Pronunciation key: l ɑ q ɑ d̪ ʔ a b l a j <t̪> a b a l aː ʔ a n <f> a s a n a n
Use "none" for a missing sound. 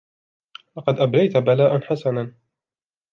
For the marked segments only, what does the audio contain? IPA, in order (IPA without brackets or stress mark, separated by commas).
t̪, ħ